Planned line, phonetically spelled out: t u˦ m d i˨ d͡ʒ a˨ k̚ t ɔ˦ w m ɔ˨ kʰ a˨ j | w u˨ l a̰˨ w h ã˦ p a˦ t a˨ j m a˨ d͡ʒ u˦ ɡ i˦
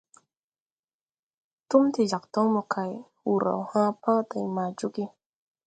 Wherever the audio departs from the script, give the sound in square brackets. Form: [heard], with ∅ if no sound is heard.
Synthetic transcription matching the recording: t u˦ m [t] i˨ d͡ʒ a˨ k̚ t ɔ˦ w m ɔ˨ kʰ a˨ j | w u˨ [ɾ] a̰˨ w h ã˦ p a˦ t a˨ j m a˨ d͡ʒ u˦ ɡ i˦